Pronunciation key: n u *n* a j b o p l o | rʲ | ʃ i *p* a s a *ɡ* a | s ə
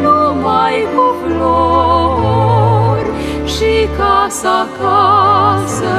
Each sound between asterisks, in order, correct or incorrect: incorrect: m, incorrect: k, incorrect: k

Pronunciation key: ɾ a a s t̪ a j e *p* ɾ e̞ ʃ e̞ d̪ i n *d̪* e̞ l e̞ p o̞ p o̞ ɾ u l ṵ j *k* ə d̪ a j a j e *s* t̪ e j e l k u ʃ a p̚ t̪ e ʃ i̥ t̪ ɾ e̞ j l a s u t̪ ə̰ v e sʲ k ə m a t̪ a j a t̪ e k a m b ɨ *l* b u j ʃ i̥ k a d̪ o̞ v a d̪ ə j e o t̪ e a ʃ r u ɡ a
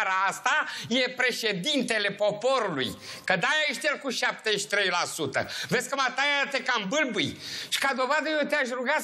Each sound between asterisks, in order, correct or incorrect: correct, incorrect: t̪, correct, incorrect: ʃ, correct

